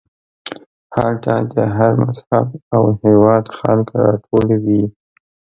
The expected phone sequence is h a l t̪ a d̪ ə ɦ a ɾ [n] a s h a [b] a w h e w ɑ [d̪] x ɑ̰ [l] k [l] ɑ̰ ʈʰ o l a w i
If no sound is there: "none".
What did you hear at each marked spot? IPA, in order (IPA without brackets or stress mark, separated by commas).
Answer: m, b, d̪, l, ɾ